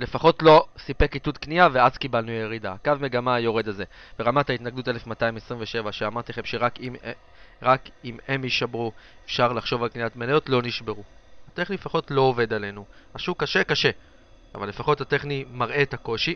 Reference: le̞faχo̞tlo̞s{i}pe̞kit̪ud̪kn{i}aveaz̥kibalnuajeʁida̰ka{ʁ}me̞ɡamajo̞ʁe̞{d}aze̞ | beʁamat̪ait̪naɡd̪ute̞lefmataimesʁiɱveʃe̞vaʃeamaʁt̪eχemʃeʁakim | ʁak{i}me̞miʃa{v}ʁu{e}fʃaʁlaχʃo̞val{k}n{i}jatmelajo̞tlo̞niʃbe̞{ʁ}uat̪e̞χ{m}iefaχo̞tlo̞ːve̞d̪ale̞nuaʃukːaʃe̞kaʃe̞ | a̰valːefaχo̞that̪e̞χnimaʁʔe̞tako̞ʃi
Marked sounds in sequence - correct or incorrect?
correct, correct, incorrect: v, correct, correct, incorrect: b, correct, correct, correct, correct, incorrect: n

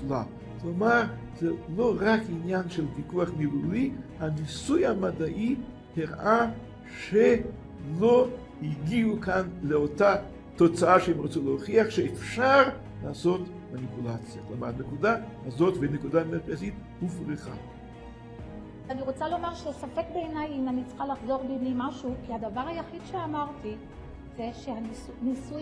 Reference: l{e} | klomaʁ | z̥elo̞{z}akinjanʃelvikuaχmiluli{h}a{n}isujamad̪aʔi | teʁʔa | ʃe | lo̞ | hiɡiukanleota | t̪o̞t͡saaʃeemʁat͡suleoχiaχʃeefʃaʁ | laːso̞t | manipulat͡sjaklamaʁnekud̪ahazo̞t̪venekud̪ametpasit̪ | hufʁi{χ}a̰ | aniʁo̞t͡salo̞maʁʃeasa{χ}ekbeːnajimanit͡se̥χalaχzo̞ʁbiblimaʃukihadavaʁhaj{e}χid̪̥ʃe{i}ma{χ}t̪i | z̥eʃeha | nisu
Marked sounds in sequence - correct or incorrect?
incorrect: a, incorrect: ʁ, correct, correct, correct, incorrect: f, incorrect: a, incorrect: a, incorrect: ʁ

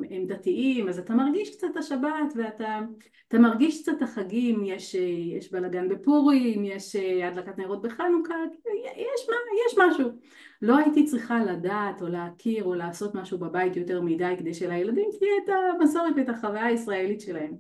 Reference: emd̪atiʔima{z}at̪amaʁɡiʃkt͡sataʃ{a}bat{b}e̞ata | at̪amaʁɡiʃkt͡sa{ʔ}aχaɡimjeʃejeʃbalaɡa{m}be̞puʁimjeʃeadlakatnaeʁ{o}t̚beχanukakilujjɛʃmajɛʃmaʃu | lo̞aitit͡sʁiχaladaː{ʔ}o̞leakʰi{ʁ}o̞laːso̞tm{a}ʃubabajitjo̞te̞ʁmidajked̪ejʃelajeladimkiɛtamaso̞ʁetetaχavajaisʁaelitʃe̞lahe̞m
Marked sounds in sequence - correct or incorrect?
correct, correct, incorrect: v, incorrect: t, incorrect: n, correct, incorrect: t, correct, correct

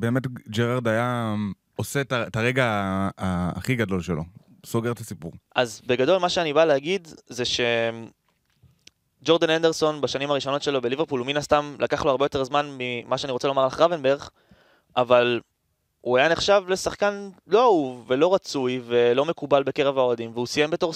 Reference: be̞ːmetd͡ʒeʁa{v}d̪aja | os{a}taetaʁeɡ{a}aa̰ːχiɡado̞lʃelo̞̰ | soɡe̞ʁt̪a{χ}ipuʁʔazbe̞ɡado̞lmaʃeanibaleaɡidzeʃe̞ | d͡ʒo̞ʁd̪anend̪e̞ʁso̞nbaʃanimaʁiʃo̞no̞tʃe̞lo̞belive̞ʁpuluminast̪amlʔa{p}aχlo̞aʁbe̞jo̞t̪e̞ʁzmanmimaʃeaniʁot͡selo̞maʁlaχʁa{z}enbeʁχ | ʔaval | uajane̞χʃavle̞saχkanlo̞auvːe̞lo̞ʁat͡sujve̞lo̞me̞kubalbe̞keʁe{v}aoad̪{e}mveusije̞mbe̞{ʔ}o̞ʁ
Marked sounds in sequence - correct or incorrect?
incorrect: ʁ, incorrect: e, correct, incorrect: s, incorrect: k, incorrect: v, correct, incorrect: i, incorrect: t

